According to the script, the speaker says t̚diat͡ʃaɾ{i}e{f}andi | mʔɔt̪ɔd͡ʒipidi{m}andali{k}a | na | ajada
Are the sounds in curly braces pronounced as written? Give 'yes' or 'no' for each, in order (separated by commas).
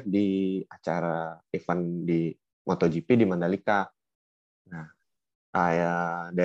no, yes, yes, yes